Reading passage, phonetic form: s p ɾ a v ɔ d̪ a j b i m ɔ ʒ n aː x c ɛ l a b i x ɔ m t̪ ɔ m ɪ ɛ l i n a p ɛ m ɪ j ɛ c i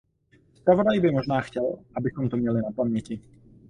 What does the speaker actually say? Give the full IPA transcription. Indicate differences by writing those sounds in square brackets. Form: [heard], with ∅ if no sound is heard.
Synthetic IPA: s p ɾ a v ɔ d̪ a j b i m ɔ ʒ n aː x c ɛ l a b i [s] ɔ m t̪ ɔ m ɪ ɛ l i n a p [a] m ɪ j ɛ c i